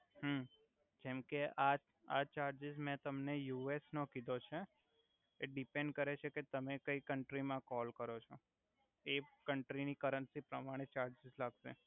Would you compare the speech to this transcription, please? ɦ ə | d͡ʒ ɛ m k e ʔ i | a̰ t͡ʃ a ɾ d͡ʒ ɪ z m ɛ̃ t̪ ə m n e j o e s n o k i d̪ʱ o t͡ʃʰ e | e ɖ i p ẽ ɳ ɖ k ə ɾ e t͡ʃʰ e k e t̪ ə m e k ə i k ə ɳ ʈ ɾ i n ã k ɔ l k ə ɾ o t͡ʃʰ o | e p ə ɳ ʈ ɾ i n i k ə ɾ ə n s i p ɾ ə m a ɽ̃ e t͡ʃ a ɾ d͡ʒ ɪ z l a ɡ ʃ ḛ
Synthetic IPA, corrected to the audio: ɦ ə | d͡ʒ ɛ m k e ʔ a | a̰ t͡ʃ a ɾ d͡ʒ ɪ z m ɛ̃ t̪ ə m n e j u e s n o k i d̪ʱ o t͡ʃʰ e | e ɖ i p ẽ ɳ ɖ k ə ɾ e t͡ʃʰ e k e t̪ ə m e k ə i k ə ɳ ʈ ɾ i m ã k ɔ l k ə ɾ o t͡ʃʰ o | e k ə ɳ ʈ ɾ i n i k ə ɾ ə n s i p ɾ ə m a ɽ̃ e t͡ʃ a ɾ d͡ʒ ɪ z l a ɡ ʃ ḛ